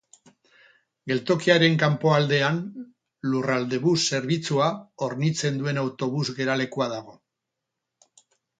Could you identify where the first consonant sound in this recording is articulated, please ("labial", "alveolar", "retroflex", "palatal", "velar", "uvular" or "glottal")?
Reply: velar